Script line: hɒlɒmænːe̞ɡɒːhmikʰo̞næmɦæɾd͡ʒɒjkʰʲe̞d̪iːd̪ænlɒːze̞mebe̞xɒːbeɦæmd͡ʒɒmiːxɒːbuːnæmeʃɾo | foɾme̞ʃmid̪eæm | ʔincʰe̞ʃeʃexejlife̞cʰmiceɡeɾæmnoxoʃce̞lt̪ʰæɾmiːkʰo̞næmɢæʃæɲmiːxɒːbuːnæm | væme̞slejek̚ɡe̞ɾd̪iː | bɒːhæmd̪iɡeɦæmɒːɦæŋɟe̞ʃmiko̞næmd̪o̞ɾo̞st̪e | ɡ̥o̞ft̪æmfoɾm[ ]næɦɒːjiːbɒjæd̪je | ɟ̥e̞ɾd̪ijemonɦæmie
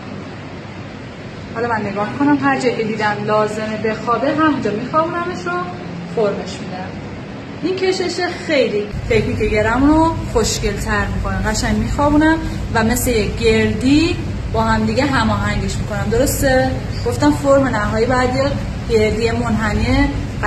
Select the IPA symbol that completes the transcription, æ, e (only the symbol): e